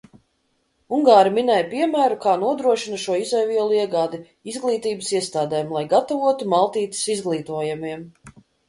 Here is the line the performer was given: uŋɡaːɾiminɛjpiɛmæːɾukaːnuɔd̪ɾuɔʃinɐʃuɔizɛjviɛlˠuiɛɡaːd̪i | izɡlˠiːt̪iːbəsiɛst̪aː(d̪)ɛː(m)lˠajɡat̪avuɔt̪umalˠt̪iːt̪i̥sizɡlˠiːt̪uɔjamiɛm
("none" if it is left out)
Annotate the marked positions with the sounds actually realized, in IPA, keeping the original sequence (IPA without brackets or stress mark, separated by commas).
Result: d̪, m